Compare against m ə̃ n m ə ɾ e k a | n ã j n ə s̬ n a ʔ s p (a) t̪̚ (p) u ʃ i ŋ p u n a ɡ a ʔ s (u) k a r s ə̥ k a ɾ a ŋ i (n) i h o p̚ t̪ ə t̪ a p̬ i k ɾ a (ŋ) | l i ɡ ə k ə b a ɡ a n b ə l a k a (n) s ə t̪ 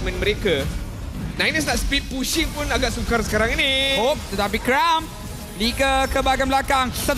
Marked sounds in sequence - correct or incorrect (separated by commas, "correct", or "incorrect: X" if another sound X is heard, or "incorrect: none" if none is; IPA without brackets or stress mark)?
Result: incorrect: i, correct, correct, correct, incorrect: m, incorrect: ŋ